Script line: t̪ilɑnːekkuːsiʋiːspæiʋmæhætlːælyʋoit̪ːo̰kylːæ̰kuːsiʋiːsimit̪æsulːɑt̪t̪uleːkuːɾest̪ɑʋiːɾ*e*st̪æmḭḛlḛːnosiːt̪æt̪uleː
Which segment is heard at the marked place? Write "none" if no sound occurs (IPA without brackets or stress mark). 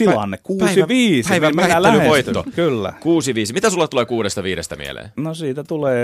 e